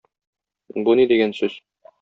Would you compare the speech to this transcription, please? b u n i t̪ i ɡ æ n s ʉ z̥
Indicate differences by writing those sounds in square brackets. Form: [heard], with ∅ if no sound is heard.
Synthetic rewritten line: b u n i [d̪] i ɡ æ n s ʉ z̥